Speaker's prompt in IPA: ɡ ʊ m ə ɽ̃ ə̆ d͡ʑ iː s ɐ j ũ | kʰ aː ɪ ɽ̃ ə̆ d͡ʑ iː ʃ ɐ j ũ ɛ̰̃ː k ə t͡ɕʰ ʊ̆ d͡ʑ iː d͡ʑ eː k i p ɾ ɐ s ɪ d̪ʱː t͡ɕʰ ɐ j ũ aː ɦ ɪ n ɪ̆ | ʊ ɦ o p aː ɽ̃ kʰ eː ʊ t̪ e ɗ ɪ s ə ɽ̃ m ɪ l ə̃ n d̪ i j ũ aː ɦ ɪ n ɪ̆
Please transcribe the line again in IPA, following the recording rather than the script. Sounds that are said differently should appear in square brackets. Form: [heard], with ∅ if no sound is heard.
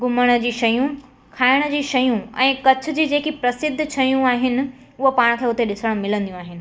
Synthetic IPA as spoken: ɡ ʊ m ə ɽ̃ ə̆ d͡ʑ iː [ʃ] ɐ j ũ | kʰ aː ɪ ɽ̃ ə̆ d͡ʑ iː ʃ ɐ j ũ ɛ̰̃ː k [ɐ] t͡ɕʰ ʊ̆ d͡ʑ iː d͡ʑ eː k i p ɾ ɐ s ɪ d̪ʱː t͡ɕʰ ɐ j ũ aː ɦ ɪ n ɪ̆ | ʊ ɦ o p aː ɽ̃ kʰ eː ʊ t̪ e ɗ ɪ s ə ɽ̃ m ɪ l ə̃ n d̪ i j ũ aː ɦ ɪ n ɪ̆